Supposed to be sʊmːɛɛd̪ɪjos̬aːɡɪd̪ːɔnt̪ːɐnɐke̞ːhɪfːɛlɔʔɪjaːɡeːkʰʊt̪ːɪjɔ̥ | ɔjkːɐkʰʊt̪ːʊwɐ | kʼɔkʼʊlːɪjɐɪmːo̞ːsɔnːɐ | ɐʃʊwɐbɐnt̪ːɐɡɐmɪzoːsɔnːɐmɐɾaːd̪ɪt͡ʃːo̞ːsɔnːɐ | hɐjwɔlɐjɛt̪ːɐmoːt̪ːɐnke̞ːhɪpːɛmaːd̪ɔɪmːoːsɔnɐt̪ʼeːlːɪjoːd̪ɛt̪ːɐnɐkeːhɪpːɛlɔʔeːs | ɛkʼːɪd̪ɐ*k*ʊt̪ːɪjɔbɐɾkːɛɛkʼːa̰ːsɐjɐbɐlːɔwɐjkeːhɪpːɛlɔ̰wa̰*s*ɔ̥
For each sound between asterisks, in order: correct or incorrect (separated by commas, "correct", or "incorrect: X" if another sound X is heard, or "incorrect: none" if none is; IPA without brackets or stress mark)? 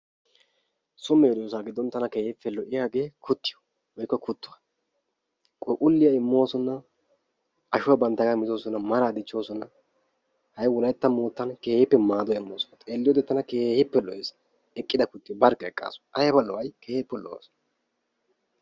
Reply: correct, correct